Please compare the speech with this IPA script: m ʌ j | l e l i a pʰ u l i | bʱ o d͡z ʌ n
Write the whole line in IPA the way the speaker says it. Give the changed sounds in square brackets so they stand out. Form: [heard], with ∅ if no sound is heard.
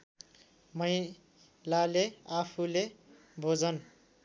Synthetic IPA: m ʌ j | l [a] l [e] a pʰ u l [e] | bʱ o d͡z ʌ n

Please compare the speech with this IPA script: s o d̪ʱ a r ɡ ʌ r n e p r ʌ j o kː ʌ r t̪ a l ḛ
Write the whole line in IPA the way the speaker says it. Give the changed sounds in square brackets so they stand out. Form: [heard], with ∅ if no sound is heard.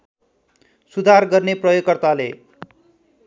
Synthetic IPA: s [u] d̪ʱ a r ɡ ʌ r n e p r ʌ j o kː ʌ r t̪ a l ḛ

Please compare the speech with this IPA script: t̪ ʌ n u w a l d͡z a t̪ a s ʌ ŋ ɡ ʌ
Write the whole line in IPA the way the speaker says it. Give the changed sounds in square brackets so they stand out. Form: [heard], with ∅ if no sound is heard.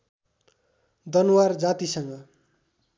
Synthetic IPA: [d̪] ʌ n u w a [r] d͡z a t̪ [i] s ʌ ŋ ɡ ʌ

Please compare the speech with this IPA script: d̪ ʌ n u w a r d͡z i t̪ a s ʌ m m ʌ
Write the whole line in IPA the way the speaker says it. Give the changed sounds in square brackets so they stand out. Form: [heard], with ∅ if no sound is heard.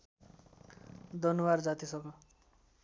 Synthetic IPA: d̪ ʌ n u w a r d͡z [a] t̪ [i] s ʌ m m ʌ

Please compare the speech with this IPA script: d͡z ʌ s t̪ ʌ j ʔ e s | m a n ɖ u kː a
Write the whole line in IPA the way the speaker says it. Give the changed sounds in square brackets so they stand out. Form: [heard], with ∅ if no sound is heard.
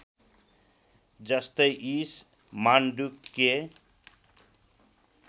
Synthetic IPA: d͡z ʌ s t̪ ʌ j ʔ [i] s | m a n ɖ u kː [e]

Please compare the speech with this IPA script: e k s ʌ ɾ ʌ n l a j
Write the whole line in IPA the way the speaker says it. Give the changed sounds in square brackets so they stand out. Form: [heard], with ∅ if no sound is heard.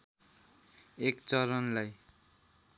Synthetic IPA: e k [t͡s] ʌ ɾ ʌ n l a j

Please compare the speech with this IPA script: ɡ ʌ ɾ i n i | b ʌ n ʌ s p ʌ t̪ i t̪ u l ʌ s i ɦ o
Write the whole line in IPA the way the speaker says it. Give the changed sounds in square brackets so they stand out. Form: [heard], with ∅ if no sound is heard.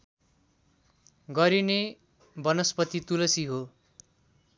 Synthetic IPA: ɡ ʌ ɾ i n [e] | b ʌ n ʌ s p ʌ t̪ i t̪ u l ʌ s i ɦ o

